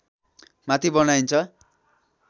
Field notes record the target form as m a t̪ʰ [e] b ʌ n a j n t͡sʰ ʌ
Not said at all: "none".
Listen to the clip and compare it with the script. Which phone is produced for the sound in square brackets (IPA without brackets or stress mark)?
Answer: i